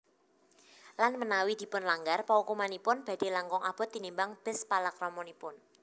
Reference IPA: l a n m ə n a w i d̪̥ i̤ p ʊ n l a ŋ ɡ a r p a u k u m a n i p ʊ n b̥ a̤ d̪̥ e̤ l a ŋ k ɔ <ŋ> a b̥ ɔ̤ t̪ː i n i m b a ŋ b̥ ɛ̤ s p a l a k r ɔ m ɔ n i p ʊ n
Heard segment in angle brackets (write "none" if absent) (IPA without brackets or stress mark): ŋ